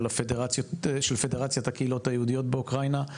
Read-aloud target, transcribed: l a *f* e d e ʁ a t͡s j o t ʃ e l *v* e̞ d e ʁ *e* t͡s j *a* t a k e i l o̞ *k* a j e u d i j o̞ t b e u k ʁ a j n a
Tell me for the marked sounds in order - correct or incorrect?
correct, incorrect: f, incorrect: a, correct, incorrect: t

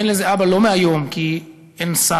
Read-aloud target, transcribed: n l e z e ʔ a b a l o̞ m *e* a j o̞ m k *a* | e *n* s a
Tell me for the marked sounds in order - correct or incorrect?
correct, incorrect: i, correct

